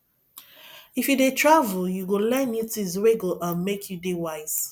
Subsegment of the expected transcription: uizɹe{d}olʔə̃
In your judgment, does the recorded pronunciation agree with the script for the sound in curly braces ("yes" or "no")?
no